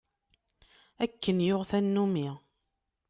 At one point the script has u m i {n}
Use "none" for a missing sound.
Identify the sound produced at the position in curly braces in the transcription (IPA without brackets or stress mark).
none